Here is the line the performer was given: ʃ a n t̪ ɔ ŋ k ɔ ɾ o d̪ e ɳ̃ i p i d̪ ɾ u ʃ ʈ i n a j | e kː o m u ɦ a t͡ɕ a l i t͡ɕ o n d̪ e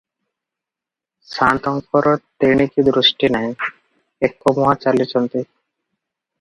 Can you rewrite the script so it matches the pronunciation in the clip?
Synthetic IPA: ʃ a n t̪ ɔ ŋ k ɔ ɾ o t̪ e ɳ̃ i k i d̪ ɾ u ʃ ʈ i n a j | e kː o m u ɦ a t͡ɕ a l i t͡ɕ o n t̪ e